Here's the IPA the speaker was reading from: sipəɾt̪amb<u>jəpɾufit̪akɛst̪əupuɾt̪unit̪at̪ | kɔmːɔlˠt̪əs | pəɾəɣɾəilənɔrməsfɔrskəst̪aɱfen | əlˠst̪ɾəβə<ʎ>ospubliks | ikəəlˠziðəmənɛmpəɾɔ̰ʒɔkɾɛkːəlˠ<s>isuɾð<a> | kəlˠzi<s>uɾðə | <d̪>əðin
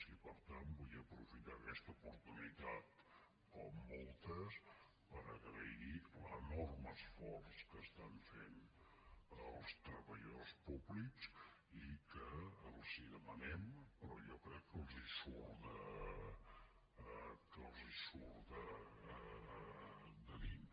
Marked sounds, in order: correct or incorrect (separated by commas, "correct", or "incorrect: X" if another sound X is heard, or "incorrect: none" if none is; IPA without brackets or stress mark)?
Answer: correct, correct, incorrect: z, incorrect: ə, correct, correct